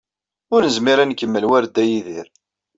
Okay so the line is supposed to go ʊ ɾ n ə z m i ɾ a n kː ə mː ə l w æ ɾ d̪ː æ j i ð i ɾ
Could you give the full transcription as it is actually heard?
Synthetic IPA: ʊ ɾ n ə z m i ɾ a n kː ə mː ə l w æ ɾ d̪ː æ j i ð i ɾ